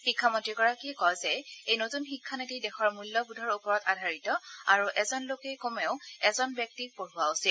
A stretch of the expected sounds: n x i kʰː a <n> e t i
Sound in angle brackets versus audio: correct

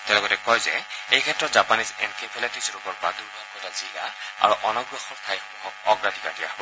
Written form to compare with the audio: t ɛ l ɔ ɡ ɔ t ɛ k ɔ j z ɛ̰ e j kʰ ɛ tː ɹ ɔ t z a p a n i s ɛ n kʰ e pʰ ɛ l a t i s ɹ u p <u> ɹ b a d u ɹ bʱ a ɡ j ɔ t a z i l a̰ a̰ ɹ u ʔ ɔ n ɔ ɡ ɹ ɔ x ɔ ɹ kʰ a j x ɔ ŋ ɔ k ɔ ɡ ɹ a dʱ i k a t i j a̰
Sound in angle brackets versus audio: incorrect: ɔ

